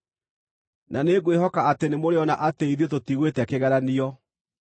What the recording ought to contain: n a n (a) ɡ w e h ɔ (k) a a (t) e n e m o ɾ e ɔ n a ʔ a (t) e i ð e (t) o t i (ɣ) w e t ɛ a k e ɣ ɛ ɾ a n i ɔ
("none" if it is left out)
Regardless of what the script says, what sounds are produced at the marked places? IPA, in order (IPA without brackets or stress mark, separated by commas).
e, k, t, t, t, ɣ